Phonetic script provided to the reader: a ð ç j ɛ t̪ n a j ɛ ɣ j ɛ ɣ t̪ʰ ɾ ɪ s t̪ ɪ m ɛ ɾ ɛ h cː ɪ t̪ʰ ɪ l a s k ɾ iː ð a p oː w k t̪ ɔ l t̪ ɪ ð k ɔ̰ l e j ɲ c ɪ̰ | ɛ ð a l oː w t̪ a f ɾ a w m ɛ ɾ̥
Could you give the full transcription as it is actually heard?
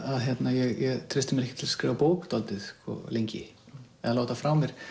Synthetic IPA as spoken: a ð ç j ɛ t̪ n a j ɛ ɣ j ɛ ɣ t̪ʰ ɾ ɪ s t̪ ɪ m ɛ ɾ ɛ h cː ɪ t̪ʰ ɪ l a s k ɾ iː v a p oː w k t̪ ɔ l t̪ ɪ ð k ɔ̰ l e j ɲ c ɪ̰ | ɛ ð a l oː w t̪ a f ɾ a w m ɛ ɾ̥